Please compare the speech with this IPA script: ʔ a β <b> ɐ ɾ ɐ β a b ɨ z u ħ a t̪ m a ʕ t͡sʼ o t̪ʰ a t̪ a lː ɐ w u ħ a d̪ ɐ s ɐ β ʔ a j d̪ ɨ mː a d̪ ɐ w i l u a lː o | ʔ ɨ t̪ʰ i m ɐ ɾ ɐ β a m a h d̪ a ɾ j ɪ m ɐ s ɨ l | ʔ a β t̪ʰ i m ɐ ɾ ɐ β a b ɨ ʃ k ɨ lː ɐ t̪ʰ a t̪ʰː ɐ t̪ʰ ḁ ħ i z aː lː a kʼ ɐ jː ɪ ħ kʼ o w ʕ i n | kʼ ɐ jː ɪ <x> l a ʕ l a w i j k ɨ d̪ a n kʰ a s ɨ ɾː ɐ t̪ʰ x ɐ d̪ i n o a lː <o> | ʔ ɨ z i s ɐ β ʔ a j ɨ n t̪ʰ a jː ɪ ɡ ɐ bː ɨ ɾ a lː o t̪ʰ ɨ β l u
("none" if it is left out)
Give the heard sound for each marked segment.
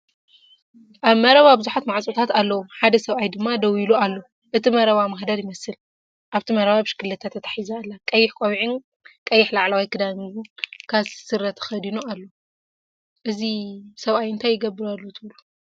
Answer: m, ħ, o

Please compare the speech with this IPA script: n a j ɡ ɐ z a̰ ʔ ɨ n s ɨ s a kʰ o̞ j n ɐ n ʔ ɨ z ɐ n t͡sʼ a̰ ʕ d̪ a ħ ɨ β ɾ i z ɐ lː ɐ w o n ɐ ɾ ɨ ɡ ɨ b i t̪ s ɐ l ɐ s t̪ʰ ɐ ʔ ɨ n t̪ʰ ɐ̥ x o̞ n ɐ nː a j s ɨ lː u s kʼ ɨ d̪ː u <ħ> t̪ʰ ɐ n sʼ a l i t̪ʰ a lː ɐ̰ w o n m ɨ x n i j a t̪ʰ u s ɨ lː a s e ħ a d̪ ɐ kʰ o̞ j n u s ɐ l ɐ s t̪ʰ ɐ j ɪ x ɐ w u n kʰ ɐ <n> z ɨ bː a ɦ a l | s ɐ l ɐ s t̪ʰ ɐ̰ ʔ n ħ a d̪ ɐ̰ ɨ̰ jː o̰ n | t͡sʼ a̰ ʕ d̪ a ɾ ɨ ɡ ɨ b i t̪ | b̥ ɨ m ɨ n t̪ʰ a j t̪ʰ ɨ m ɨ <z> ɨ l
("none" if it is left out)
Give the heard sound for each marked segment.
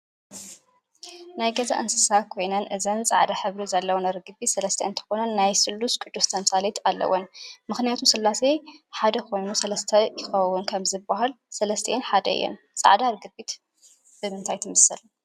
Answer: s, m, s

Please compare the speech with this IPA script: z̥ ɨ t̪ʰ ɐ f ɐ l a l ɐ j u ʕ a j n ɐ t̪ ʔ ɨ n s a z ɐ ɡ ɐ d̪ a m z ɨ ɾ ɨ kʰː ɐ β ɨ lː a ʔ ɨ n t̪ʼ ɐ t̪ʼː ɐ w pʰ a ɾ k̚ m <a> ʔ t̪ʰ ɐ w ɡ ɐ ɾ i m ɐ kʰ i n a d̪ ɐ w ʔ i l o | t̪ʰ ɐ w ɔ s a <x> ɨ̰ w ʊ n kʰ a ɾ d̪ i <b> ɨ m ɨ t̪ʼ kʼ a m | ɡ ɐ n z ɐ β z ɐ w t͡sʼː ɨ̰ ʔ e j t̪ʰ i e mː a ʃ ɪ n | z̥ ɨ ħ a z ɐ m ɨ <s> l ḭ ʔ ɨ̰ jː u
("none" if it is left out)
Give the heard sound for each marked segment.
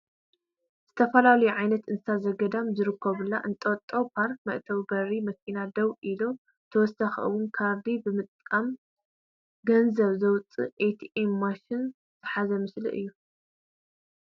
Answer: ɐ, x, b, s

